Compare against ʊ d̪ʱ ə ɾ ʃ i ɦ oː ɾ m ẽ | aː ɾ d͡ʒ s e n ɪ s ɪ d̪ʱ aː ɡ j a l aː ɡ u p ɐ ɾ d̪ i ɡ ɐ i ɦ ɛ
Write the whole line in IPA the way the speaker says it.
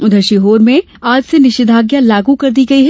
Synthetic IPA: ʊ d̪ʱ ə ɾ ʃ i ɦ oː ɾ m ẽ | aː d͡ʒ s e n ɪ ʃ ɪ d̪ʱ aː ɡ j a l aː ɡ u k ɐ ɾ d̪ i ɡ ɐ i ɦ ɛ